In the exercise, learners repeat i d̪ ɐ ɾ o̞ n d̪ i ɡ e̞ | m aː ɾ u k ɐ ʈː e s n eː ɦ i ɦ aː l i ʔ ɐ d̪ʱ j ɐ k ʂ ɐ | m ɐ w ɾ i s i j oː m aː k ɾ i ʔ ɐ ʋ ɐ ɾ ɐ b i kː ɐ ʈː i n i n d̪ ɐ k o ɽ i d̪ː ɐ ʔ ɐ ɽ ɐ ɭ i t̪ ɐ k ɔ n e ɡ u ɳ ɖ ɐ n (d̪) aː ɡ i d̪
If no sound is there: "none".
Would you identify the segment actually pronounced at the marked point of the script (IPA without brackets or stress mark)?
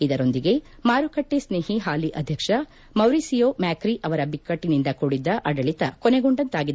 t̪